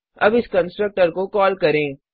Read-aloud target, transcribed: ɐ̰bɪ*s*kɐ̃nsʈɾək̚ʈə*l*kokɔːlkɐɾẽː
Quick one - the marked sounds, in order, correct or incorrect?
correct, incorrect: ɾ

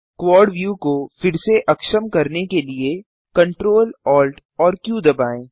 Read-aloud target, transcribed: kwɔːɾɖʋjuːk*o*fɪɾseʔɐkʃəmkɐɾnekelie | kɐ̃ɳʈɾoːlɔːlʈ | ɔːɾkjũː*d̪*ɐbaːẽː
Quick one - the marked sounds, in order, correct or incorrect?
correct, correct

